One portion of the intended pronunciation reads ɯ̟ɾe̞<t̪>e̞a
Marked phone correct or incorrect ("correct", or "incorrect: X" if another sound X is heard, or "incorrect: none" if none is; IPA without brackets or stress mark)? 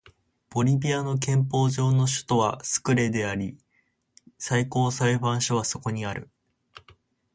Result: incorrect: d̪